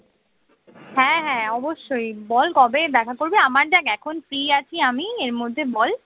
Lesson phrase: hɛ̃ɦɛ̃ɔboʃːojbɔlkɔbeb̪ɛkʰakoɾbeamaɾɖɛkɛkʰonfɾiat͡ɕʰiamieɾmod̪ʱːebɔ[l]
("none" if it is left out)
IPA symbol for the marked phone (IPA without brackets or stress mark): l